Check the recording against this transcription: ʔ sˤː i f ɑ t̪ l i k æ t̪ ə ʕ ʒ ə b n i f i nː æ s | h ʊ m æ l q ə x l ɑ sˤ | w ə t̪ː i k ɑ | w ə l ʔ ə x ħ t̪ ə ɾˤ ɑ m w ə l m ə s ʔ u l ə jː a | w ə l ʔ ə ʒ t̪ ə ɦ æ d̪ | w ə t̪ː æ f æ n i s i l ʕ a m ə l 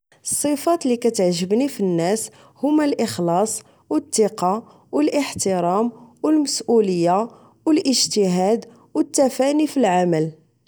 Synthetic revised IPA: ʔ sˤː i f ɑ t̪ l i k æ t̪ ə ʕ ʒ ə b n i f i nː æ s | h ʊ m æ l ʔ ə x l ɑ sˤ | w ə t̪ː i q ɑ | w ə l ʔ ə ħ t̪ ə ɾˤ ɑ m w ə l m ə s ʔ u l ə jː a | w ə l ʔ ə ʒ t̪ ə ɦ æ d̪ | w ə t̪ː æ f æ n i f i l ʕ a m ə l